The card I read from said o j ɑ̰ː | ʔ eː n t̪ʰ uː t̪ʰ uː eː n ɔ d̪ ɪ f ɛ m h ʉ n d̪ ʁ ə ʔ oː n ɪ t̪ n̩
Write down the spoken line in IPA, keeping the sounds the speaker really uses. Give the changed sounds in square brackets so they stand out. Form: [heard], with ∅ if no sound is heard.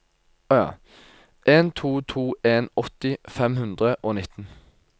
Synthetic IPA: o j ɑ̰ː | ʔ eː n t̪ʰ uː t̪ʰ uː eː n ɔ [t̪] ɪ f ɛ m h ʉ n d̪ ʁ ə ʔ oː n ɪ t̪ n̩